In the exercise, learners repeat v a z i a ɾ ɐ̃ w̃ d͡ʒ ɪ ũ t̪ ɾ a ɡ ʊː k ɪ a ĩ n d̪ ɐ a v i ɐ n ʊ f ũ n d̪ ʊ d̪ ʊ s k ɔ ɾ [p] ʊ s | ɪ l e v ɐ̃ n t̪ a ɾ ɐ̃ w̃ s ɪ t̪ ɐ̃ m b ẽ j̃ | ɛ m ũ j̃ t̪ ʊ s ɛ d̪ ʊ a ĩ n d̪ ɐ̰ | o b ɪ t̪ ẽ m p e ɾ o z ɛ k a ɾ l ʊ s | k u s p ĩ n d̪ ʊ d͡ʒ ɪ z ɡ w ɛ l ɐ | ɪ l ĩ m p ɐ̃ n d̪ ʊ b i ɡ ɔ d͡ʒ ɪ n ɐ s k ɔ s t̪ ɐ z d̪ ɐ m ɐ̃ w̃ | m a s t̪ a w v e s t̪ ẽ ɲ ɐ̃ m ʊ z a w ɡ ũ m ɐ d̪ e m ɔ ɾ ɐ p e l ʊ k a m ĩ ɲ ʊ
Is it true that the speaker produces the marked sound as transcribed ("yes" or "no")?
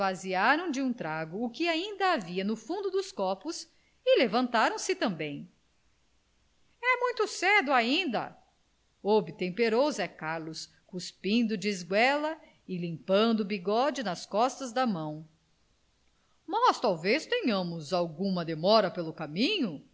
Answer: yes